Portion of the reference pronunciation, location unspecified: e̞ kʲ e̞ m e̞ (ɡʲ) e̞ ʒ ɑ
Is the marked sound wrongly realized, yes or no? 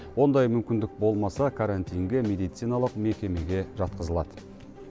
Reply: no